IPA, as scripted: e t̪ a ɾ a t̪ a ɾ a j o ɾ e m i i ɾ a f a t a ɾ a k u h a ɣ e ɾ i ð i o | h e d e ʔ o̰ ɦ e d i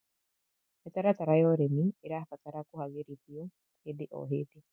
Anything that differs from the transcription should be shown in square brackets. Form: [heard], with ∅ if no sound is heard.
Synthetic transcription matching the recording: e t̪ a ɾ a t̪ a ɾ a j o ɾ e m i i ɾ a f a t a ɾ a k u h a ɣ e ɾ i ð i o | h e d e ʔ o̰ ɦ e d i